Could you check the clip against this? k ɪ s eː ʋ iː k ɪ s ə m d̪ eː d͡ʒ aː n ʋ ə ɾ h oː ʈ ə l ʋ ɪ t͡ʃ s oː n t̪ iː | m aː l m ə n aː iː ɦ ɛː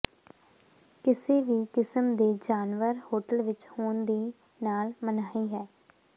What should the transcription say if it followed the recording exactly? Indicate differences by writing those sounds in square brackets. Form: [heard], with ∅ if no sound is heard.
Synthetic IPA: k ɪ s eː ʋ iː k ɪ s ə m d̪ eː d͡ʒ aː n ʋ ə ɾ h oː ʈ ə l ʋ ɪ t͡ʃ [h] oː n [d̪] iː | [n] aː l m ə n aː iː ɦ ɛː